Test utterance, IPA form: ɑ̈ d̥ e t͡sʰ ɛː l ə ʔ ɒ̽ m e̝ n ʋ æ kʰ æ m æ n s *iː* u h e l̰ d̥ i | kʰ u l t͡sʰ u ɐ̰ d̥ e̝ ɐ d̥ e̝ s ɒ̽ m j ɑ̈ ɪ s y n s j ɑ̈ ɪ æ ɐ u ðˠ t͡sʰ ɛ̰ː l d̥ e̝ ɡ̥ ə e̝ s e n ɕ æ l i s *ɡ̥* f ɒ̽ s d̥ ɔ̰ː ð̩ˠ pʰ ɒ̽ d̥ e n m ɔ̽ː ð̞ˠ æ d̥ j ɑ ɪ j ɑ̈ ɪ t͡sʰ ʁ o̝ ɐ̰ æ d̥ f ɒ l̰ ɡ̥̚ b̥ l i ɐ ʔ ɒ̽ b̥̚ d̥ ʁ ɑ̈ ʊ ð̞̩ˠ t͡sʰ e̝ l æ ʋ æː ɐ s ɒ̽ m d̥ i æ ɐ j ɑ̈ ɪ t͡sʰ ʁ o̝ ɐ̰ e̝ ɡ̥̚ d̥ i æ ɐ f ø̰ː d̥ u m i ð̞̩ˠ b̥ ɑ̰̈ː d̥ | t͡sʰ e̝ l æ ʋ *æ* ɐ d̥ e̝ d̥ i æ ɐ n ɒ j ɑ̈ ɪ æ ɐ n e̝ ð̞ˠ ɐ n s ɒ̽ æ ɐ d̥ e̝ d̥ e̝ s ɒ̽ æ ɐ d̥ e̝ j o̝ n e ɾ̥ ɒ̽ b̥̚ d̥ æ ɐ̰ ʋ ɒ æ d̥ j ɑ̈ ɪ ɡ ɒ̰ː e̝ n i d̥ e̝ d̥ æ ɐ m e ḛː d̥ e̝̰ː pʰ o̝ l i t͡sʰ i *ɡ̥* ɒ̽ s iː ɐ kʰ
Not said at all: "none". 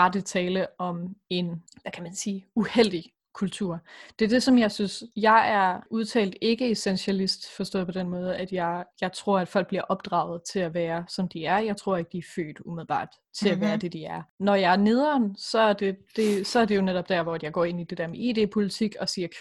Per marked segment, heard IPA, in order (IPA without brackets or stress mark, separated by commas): iː, d̥, æː, ɡ̥